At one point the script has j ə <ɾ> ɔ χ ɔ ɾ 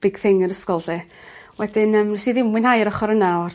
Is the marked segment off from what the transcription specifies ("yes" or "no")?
no